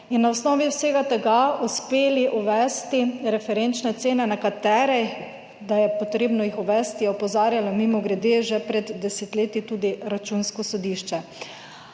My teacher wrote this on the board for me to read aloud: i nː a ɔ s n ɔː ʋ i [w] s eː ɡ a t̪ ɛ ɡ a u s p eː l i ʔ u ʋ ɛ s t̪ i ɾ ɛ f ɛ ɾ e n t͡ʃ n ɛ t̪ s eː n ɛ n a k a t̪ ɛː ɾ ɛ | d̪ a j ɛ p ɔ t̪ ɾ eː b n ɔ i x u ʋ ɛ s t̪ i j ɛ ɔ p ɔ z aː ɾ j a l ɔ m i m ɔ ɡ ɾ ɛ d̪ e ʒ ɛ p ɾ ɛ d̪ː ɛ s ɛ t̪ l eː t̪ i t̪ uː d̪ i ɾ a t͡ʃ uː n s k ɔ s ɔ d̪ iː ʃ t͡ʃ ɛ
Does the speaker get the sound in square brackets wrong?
no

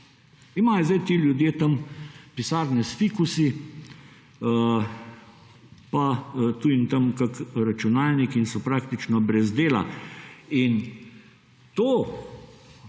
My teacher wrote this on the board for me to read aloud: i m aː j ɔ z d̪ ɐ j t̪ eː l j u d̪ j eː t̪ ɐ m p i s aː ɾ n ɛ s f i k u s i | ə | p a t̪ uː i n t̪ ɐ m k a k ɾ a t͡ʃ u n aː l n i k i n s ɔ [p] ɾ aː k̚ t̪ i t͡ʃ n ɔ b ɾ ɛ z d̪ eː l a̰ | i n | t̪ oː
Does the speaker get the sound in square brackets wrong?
no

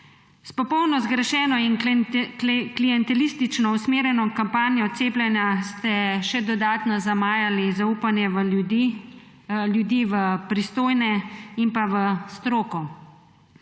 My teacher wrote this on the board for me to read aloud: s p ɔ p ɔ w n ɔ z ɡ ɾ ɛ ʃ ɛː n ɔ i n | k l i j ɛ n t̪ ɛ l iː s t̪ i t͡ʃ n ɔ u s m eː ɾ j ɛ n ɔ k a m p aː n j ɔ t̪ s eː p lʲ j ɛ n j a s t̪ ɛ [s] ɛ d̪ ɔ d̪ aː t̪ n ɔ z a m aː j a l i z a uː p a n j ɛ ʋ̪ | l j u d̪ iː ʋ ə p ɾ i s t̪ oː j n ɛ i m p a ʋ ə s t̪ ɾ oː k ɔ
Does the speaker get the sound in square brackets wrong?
yes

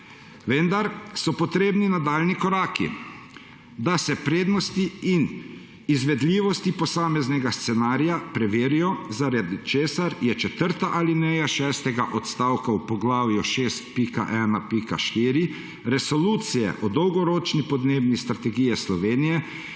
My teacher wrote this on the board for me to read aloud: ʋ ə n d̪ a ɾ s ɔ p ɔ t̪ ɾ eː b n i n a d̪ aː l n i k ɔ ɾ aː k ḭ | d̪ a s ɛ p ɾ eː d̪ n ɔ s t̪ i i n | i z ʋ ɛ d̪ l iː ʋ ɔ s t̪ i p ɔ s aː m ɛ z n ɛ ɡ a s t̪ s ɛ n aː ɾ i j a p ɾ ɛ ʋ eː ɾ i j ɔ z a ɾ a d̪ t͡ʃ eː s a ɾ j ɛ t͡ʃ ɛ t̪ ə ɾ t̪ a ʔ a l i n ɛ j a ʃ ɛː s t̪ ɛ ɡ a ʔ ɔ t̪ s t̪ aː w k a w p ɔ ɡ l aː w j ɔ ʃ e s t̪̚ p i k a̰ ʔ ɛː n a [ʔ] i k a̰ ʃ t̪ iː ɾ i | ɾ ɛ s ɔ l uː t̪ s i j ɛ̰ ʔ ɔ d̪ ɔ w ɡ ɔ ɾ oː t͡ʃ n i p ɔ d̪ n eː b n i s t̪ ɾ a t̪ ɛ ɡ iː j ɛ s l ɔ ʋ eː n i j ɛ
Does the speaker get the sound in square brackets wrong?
yes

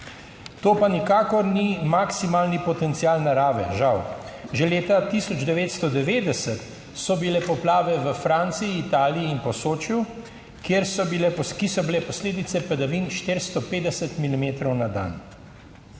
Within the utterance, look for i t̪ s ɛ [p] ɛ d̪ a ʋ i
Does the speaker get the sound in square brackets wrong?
no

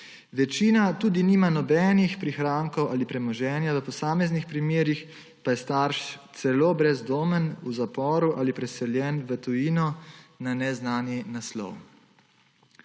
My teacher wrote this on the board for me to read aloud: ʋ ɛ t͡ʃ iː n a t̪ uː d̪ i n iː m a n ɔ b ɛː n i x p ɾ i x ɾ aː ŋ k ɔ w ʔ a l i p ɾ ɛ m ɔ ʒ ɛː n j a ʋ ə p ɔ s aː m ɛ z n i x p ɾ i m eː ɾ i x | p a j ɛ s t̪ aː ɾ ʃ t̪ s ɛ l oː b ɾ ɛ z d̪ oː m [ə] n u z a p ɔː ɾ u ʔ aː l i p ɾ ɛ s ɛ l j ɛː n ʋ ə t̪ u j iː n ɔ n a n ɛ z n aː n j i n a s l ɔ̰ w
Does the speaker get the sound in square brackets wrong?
no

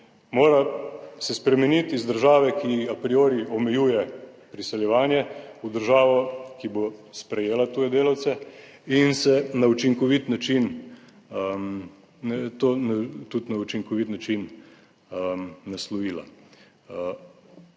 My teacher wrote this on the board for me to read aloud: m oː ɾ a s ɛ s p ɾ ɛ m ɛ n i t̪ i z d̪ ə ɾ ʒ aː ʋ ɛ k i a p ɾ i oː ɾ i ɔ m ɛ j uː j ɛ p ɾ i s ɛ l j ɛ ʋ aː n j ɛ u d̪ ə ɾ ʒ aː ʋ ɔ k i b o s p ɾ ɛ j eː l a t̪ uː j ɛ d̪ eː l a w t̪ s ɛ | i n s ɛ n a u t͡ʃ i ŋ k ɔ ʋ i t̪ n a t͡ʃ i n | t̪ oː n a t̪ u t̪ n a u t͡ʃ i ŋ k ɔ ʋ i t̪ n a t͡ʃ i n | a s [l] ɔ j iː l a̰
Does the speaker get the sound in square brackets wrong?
no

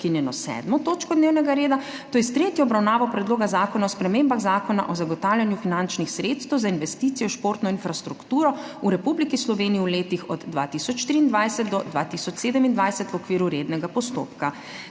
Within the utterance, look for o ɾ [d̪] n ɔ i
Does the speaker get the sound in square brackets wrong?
yes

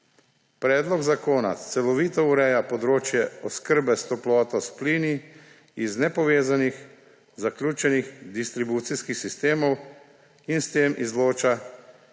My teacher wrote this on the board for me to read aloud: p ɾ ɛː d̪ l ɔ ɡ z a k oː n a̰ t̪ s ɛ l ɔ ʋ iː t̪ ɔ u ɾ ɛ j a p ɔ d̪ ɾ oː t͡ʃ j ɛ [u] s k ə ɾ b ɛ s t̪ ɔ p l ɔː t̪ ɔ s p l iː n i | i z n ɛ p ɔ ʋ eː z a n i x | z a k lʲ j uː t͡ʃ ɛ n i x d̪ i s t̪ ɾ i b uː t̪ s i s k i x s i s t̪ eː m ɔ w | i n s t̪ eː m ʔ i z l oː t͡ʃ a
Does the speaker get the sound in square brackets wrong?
yes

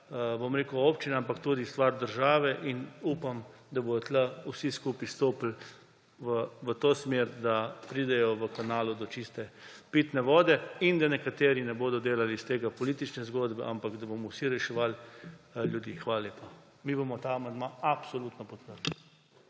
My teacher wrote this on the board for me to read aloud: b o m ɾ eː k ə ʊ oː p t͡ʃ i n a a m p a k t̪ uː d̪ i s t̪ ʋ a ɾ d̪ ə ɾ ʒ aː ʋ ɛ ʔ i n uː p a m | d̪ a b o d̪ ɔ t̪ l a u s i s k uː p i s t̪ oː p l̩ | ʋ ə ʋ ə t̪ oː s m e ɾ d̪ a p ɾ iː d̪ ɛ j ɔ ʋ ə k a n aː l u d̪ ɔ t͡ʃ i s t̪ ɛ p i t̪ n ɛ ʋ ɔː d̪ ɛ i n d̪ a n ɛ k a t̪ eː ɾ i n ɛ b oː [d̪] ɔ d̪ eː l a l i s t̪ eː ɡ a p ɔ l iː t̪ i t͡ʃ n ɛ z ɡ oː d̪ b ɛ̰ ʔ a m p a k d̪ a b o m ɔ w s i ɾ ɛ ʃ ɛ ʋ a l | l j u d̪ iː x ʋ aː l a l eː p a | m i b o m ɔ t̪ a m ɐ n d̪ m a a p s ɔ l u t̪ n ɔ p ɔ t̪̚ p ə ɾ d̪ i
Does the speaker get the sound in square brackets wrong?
no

